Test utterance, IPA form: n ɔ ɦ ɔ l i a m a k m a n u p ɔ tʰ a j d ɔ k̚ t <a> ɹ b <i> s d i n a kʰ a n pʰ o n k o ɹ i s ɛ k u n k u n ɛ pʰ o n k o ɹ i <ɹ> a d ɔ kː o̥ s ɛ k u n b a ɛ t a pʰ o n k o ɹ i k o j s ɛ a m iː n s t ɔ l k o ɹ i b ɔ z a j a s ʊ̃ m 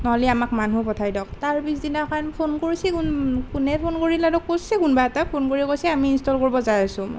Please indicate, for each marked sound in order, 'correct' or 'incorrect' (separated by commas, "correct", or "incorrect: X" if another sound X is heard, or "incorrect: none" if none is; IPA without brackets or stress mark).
correct, correct, incorrect: l